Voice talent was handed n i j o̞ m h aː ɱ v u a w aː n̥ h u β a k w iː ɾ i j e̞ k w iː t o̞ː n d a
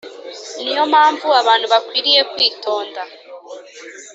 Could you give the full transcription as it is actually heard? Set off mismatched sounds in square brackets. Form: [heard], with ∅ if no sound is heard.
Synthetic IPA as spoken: n i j o̞ m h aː ɱ v u a [β] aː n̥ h u β a k w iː ɾ i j e̞ k w iː t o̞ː n d a